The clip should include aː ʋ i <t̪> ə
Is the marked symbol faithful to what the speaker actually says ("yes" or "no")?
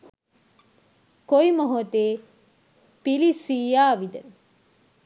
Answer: no